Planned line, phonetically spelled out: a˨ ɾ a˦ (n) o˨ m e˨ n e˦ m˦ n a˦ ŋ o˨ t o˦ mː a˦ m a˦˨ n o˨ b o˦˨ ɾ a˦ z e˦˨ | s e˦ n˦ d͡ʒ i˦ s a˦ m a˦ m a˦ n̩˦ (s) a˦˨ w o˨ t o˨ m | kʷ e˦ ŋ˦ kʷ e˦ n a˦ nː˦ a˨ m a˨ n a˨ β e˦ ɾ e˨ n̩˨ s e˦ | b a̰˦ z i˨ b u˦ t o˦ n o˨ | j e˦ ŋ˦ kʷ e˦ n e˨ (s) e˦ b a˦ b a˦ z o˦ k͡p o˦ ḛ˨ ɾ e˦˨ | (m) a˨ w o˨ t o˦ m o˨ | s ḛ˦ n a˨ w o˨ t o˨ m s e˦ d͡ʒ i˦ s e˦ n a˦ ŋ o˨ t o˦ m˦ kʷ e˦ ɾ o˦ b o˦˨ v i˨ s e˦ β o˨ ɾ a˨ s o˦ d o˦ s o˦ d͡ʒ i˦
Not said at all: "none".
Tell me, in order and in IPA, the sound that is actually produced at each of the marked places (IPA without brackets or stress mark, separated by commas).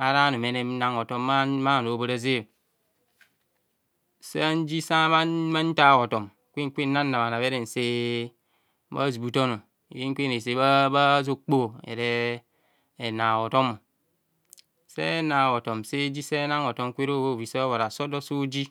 n, t, s, n